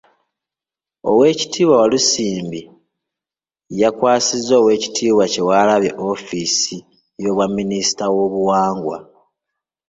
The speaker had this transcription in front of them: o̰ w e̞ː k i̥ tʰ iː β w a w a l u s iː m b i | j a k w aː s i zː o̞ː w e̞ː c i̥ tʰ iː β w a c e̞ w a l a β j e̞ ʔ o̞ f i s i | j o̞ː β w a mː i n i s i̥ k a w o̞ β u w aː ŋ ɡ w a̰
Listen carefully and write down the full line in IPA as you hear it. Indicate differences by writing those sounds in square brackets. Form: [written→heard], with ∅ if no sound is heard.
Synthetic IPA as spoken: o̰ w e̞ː [k→c] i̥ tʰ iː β w a w a l u s iː m b i | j a k w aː s i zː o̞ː w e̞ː c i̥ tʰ iː β w a c e̞ w a l a β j e̞ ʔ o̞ f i s i | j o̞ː β w a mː i n i s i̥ [k→t] a w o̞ β u w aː ŋ ɡ w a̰